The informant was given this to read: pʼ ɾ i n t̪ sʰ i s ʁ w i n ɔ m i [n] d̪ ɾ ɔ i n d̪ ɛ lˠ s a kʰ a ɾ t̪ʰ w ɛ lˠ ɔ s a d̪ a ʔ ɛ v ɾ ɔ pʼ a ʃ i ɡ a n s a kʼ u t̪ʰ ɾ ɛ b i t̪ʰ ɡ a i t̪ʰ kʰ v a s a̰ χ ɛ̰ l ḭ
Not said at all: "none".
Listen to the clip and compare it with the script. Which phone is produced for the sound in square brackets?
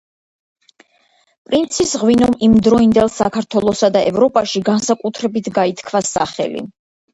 m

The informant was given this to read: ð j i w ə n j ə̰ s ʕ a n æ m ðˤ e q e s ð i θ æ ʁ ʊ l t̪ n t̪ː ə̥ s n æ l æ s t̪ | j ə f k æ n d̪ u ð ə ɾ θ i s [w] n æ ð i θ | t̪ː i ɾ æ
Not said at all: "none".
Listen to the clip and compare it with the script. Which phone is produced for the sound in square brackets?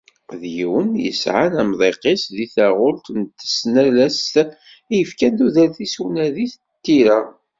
w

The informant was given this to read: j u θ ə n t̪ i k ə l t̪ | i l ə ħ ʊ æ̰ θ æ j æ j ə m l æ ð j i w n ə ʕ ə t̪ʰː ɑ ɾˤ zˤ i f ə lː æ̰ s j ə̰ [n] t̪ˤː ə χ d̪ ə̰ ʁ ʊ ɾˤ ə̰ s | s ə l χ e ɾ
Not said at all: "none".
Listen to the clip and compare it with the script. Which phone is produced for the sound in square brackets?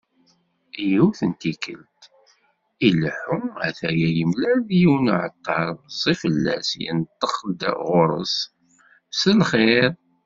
n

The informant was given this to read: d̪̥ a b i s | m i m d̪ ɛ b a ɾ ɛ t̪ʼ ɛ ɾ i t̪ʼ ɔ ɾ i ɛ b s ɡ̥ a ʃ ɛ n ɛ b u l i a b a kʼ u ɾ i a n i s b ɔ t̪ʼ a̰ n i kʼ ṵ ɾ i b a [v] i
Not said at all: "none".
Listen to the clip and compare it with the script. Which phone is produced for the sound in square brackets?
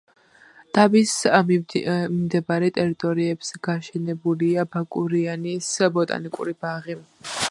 ʁ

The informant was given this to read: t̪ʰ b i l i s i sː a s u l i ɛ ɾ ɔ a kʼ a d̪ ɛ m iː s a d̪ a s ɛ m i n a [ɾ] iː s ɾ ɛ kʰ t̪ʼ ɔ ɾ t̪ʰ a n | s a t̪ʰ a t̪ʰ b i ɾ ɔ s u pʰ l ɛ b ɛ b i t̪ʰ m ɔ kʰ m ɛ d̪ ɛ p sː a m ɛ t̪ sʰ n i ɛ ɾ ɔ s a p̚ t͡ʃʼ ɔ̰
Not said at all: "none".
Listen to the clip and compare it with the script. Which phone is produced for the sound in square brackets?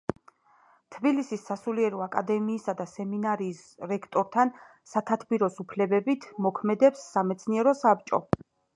ɾ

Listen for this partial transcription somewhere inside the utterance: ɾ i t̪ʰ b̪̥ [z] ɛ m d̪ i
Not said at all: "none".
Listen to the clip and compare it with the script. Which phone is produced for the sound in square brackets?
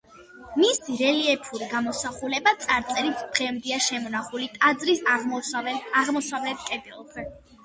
ʁ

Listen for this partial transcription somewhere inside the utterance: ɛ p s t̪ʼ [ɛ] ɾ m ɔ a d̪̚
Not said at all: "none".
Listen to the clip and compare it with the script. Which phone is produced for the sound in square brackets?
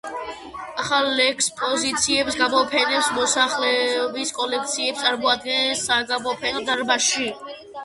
a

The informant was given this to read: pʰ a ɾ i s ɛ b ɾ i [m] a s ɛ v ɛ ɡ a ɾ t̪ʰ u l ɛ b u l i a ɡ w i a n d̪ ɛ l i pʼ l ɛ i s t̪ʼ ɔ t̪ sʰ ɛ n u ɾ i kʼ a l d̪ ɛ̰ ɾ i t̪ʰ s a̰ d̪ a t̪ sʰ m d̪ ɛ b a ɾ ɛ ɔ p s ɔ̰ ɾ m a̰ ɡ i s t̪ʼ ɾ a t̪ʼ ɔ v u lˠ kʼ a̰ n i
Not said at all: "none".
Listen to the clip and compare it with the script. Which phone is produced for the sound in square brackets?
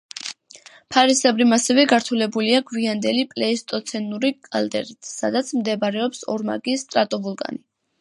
m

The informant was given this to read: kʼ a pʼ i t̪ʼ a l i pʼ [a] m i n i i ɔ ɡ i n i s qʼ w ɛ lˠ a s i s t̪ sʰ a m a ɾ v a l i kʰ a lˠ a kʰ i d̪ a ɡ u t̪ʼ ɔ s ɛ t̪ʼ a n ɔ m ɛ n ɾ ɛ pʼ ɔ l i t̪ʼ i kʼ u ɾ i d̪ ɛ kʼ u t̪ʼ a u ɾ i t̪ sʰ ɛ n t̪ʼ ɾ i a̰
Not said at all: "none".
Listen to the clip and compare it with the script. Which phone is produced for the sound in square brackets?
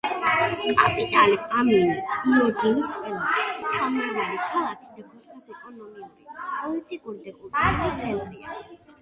a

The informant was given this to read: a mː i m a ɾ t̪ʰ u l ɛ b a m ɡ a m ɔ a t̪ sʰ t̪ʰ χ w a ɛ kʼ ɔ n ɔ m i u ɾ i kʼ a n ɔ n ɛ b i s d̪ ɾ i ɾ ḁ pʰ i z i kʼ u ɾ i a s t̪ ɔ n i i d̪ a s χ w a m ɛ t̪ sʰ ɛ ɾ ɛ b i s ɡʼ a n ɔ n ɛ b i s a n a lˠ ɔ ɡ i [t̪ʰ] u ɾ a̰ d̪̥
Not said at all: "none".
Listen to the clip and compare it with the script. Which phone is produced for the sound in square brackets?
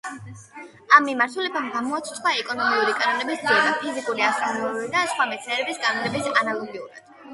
none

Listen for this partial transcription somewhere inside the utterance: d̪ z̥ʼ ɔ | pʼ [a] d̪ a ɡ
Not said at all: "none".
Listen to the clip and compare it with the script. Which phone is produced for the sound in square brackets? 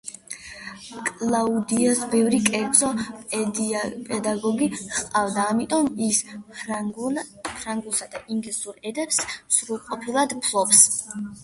ɛ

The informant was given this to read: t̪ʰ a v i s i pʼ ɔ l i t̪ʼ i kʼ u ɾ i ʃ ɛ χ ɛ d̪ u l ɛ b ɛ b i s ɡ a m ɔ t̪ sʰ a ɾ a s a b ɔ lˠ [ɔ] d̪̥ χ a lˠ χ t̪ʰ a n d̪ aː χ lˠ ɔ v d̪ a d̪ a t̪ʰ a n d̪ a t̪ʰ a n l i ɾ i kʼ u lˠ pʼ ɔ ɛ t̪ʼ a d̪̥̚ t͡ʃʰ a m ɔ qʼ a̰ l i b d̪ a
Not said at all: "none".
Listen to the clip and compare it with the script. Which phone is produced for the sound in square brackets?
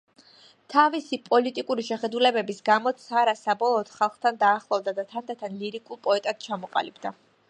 ɔː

